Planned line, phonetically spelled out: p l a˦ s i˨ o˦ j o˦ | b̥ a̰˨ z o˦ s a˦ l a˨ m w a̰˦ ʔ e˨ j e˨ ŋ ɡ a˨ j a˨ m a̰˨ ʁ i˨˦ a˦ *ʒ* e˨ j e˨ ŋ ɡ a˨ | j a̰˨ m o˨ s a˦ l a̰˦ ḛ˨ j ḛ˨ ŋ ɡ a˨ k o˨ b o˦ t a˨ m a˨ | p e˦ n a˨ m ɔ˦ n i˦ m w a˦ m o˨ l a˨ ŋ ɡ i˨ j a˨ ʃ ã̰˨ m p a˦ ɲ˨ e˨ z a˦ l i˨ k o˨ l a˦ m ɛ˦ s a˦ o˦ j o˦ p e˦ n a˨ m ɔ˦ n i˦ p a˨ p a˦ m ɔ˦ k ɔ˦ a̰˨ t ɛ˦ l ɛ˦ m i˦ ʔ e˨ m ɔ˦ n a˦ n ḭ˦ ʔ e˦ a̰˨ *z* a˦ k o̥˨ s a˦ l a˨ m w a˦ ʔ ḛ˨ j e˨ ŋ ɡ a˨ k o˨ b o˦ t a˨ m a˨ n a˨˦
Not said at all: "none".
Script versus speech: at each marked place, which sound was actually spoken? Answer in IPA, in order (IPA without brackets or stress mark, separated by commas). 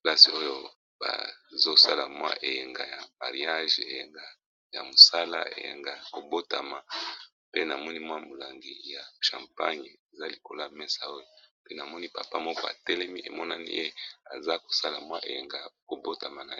ʒ, z